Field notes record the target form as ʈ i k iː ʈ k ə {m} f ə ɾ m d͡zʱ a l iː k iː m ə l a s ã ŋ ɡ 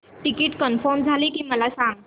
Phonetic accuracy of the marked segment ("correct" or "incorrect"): incorrect